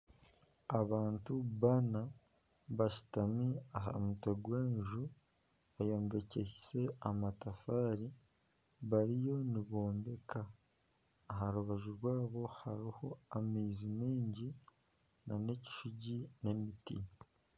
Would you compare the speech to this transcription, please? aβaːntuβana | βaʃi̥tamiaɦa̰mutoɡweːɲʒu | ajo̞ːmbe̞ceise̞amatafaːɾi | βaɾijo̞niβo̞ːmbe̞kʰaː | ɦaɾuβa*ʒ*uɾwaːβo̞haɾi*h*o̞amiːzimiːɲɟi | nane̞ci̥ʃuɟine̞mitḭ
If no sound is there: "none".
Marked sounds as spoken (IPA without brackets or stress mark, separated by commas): ʒ, h